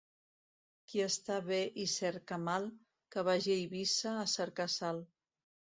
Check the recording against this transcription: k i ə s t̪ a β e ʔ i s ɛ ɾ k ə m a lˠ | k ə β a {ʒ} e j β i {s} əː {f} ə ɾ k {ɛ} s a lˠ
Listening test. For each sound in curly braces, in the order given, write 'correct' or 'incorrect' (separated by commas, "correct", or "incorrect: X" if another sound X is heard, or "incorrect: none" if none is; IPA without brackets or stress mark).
correct, correct, incorrect: s, incorrect: a